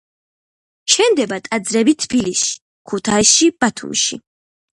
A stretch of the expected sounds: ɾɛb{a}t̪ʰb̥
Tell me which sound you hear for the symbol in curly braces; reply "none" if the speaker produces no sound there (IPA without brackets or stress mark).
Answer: i